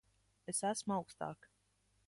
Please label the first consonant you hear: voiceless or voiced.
voiceless